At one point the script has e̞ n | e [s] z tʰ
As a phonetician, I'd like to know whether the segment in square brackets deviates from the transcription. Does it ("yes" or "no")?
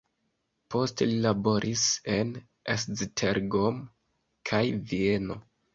no